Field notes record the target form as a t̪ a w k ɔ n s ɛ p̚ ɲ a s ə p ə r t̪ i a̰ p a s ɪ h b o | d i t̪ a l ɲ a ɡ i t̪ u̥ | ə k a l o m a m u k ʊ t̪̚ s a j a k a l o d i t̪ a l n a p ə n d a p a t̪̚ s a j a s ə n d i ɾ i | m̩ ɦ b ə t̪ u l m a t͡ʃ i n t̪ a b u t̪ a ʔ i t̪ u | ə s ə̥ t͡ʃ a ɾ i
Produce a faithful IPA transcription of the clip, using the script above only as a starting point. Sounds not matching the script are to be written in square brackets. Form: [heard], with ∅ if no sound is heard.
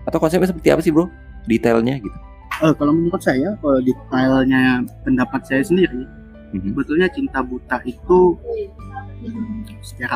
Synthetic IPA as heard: a t̪ a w k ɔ n s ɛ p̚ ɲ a s ə p ə r t̪ i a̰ p a s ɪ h b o | d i t̪ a l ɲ a ɡ i t̪ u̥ | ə k a l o m [ə] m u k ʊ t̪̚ s a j a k a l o d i t̪ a l [ɲ] a p ə n d a p a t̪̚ s a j a s ə n d i ɾ i | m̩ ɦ b ə t̪ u l [ɲ] a t͡ʃ i n t̪ a b u t̪ a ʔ i t̪ u | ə s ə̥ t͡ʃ a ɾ [a]